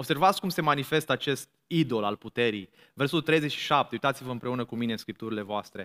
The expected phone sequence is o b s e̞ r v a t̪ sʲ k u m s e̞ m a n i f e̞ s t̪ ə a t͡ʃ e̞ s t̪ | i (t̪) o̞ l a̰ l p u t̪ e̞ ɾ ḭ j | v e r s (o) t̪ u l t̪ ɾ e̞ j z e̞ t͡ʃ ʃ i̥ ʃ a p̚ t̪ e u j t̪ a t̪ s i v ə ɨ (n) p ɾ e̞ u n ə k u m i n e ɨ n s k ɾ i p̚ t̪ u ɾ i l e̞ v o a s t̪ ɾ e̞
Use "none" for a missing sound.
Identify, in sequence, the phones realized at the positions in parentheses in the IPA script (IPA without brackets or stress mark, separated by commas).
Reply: d̪, o, m